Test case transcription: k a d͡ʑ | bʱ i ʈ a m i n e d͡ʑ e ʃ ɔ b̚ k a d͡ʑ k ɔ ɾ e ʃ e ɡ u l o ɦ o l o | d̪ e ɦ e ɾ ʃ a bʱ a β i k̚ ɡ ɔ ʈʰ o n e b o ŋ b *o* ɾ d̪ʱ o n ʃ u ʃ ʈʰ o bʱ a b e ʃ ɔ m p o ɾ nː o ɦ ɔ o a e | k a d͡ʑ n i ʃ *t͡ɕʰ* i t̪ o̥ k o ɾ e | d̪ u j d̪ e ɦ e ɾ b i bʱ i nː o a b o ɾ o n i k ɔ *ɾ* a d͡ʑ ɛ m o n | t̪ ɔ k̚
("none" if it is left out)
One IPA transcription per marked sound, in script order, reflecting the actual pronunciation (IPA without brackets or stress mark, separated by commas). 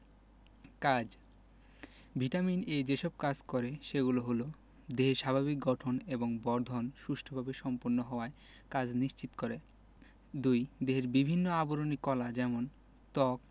ɔ, t͡ɕ, l